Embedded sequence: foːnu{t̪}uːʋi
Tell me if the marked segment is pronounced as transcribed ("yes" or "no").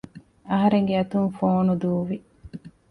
no